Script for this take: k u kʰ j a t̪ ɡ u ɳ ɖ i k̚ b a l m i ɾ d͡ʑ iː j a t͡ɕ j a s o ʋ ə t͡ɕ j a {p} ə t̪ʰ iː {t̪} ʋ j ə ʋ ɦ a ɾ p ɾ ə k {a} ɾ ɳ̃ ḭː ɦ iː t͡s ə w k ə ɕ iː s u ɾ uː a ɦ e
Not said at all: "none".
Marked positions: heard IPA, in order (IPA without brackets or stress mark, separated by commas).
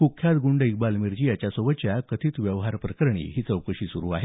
k, t̪, ə